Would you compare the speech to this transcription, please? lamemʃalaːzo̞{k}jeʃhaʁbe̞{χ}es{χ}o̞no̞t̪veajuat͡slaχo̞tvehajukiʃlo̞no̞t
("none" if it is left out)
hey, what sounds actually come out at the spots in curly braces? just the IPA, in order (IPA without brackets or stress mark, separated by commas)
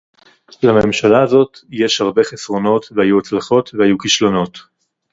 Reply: t, χ, ʁ